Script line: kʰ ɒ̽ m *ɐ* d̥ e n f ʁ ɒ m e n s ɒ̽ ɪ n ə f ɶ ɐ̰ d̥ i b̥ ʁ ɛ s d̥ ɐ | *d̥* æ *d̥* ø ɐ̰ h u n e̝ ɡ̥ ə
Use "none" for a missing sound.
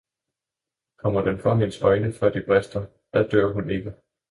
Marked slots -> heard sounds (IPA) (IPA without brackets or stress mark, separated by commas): ɐ, d̥, d̥